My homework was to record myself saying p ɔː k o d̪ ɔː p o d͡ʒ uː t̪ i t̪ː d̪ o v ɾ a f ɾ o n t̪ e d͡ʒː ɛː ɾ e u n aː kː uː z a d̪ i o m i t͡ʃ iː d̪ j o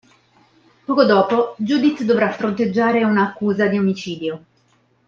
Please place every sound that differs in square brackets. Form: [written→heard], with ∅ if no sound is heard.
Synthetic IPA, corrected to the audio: p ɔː k o d̪ ɔː p o d͡ʒ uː [t̪→d̪] i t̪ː d̪ o v ɾ a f ɾ o n t̪ e d͡ʒː [ɛː→aː] ɾ e u n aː kː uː z a d̪ i o m i t͡ʃ iː d̪ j o